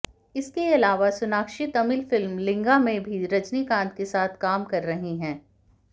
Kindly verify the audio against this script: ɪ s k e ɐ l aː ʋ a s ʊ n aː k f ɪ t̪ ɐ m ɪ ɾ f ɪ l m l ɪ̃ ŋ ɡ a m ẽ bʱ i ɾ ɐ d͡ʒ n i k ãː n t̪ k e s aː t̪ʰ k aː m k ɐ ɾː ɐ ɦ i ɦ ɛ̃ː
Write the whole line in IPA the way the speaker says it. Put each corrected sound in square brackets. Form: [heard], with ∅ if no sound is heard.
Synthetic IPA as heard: ɪ s k e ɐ l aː ʋ a s ʊ n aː k [ʃ] ɪ t̪ ɐ m ɪ [l] f ɪ l m l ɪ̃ ŋ ɡ a m ẽ bʱ i ɾ ɐ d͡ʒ n i k ãː n t̪ k e s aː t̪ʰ k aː m k ɐ ɾː ɐ ɦ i ɦ ɛ̃ː